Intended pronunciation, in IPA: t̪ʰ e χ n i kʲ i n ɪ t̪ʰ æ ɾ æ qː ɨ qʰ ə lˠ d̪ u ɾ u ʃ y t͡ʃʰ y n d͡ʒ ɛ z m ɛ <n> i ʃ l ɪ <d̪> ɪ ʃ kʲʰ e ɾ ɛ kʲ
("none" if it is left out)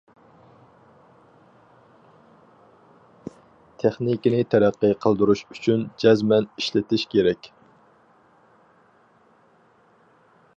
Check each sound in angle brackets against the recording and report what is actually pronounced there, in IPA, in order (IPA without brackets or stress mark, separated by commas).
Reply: n, t̪